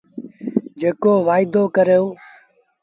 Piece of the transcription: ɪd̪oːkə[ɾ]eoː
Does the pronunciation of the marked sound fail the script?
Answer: no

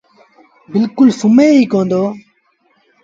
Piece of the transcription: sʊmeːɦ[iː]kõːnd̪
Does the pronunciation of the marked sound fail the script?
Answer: no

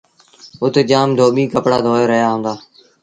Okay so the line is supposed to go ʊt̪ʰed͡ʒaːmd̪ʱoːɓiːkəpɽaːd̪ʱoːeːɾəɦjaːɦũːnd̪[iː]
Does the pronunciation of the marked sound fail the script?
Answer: yes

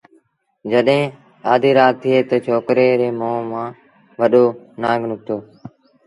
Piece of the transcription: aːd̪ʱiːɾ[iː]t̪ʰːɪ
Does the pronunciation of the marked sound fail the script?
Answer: yes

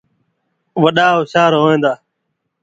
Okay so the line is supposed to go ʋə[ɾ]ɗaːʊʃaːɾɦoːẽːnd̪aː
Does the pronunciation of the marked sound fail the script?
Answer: yes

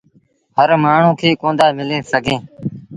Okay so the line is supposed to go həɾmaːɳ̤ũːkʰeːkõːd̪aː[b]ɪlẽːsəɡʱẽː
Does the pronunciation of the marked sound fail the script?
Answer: yes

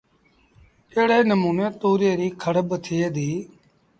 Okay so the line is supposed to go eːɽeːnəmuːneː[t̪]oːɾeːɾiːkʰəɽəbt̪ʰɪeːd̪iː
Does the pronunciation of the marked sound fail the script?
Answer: no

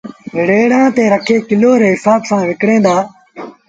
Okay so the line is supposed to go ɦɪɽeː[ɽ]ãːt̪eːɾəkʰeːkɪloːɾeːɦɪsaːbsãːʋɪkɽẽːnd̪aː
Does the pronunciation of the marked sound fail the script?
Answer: no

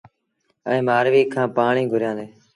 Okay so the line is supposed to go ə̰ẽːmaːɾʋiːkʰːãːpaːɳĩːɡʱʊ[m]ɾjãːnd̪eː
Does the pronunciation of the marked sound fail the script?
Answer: yes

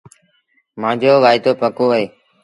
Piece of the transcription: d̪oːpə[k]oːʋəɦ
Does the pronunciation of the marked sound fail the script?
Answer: no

